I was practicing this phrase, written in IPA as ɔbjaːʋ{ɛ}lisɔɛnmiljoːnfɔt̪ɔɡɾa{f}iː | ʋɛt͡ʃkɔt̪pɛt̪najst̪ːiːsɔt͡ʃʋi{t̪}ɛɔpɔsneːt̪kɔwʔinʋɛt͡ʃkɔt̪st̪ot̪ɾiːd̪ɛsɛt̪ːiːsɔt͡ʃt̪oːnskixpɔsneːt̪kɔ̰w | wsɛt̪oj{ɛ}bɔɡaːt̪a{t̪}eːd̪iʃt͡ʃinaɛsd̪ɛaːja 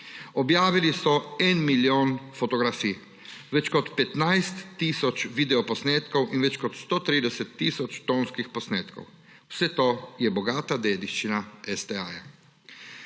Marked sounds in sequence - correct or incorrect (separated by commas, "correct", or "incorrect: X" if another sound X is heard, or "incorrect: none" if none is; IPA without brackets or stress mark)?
incorrect: i, correct, incorrect: d̪, correct, incorrect: d̪